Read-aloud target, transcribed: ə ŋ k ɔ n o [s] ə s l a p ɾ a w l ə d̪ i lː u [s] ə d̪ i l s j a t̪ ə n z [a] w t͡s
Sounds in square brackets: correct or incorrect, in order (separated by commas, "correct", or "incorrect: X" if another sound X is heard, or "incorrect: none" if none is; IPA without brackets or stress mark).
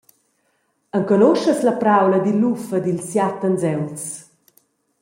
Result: incorrect: ʃ, incorrect: f, incorrect: ɛ